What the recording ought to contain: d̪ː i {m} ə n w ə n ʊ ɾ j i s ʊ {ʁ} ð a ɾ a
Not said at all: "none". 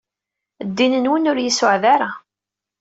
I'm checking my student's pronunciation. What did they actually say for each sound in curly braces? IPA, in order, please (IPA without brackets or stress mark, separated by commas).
n, ʕ